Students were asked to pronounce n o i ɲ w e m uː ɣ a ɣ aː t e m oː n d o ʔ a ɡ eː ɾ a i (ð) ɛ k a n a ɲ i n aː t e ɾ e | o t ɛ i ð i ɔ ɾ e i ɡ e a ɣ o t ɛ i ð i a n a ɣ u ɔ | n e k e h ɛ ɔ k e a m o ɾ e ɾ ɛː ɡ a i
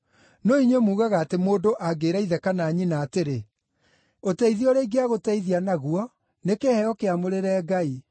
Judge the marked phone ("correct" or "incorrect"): correct